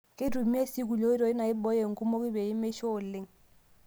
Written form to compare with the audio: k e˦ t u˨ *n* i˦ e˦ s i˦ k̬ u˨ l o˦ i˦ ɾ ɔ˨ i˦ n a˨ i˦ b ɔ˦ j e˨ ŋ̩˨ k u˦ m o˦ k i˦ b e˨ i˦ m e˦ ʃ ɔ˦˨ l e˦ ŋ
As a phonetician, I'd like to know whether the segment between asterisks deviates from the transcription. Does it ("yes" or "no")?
yes